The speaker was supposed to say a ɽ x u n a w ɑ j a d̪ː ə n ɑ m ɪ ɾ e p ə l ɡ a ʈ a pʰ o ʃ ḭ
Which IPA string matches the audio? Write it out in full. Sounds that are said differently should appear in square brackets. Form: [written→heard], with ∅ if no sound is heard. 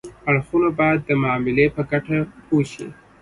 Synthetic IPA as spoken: a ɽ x u n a [w→b] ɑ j a d̪ː ə [n→m] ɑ m ɪ [ɾ→l] e p ə [l→∅] ɡ a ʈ a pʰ o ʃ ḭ